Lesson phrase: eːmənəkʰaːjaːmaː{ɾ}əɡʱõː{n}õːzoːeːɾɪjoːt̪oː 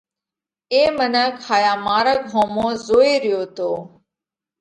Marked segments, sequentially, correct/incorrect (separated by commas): correct, incorrect